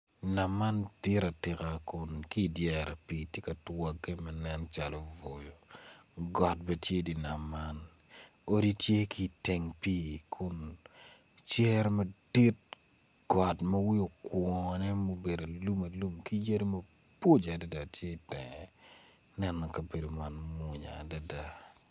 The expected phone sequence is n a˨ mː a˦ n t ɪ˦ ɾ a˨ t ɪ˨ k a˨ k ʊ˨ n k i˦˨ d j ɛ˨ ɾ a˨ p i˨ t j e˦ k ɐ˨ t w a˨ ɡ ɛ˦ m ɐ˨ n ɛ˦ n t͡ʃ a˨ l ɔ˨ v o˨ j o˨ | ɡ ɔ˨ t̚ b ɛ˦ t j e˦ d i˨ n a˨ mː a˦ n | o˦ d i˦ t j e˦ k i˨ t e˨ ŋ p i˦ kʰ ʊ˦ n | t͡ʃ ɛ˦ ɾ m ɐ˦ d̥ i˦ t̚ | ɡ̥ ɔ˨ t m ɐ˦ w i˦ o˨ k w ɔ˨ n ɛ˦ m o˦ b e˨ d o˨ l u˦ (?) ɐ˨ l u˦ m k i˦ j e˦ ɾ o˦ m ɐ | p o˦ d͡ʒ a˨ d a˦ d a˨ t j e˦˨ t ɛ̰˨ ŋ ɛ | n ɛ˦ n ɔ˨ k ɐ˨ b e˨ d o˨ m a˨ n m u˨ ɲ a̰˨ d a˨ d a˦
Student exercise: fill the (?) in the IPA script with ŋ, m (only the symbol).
m